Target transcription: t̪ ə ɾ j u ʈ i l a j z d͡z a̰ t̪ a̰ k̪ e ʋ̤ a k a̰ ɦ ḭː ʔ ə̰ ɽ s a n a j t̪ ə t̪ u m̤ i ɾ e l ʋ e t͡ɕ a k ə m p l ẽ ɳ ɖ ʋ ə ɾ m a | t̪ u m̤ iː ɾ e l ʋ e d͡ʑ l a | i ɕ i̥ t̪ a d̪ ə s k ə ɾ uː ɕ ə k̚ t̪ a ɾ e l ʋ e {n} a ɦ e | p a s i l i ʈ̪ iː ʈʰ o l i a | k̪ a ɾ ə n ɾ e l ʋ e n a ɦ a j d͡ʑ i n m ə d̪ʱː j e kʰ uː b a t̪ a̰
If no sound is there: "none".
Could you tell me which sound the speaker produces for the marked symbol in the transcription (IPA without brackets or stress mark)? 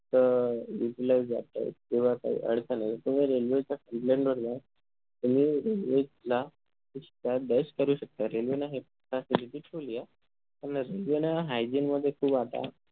n